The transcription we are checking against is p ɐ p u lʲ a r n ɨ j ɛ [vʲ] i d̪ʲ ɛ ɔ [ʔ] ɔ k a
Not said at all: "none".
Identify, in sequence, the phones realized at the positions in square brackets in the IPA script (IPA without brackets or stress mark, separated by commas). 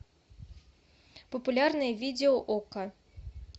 vʲ, ʔ